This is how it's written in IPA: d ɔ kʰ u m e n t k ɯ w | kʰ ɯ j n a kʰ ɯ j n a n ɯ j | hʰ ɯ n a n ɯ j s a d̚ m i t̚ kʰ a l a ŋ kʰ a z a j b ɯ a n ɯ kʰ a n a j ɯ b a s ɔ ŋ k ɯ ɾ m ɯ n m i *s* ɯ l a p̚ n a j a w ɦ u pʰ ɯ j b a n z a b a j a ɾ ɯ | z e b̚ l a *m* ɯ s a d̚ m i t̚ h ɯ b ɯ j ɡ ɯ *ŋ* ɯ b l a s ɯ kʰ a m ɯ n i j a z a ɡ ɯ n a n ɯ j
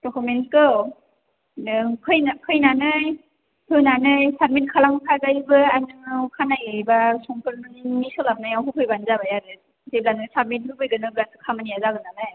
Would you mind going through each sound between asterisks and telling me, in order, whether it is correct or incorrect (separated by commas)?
correct, incorrect, incorrect